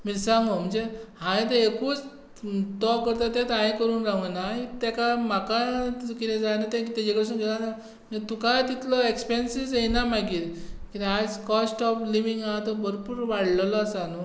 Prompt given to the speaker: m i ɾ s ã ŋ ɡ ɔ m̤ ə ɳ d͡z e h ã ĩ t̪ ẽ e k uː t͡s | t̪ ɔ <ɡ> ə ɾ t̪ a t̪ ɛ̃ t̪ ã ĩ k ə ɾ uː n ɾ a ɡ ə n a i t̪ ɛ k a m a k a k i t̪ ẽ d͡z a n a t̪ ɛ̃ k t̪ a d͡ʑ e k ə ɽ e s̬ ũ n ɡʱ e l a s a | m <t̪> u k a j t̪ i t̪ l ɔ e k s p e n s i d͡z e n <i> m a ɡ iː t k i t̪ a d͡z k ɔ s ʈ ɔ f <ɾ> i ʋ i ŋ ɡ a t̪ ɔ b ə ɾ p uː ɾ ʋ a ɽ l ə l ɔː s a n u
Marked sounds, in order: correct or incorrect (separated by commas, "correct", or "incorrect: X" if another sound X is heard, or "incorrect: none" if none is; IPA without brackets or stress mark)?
incorrect: k, correct, incorrect: a, incorrect: l